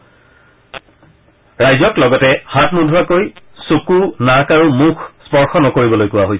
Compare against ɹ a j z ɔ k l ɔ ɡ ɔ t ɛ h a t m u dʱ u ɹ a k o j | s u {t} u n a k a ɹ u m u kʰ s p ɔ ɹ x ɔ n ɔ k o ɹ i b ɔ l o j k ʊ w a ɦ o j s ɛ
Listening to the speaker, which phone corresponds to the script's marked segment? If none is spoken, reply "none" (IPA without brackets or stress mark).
k